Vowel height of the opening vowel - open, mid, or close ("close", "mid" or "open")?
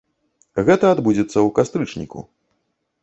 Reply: mid